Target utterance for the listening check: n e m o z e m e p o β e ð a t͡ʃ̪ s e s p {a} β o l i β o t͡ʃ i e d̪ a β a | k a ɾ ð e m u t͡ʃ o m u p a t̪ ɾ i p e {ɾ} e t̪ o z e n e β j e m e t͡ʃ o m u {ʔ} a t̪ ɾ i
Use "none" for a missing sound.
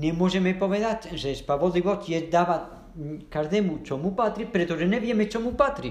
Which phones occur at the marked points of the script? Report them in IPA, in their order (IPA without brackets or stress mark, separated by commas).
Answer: a, ɾ, p